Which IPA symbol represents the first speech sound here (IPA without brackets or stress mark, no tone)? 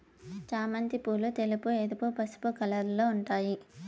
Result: t͡ʃ